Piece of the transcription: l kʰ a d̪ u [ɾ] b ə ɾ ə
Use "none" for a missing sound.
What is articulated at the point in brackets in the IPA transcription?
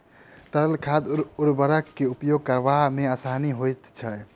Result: ɾ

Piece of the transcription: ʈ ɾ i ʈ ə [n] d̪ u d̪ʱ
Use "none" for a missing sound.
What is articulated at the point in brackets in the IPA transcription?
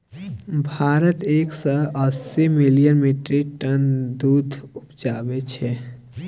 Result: n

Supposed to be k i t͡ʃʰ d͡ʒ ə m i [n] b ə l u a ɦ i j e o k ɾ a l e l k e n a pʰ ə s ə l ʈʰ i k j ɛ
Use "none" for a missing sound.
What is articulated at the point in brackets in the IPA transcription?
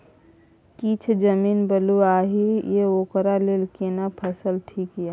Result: n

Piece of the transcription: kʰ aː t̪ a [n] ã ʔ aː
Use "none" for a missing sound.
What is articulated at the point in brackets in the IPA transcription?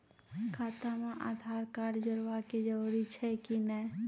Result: m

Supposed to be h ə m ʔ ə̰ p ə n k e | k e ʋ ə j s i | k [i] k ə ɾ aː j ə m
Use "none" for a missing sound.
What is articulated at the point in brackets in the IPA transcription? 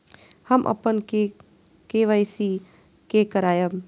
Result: e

